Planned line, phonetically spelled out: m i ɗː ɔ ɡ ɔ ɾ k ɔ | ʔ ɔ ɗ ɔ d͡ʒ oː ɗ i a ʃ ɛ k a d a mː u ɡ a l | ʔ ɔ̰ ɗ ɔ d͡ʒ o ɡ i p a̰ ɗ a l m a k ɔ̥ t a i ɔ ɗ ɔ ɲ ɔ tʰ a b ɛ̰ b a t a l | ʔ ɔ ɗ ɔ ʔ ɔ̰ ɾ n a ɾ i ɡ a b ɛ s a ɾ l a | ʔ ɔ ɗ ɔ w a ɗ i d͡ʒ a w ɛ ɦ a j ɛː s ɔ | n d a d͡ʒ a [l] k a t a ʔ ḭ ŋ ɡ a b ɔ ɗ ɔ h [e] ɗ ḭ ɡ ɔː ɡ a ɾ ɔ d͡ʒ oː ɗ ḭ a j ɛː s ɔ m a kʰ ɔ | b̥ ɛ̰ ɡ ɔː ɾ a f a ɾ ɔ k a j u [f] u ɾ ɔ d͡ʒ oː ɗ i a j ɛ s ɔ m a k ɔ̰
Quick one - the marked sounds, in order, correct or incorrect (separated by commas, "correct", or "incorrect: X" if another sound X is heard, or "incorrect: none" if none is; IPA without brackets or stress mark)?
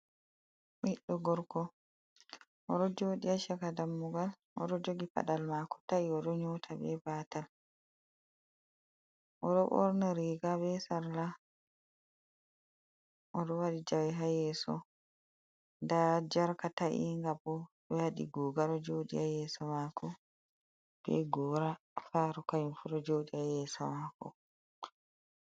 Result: incorrect: ɾ, incorrect: a, correct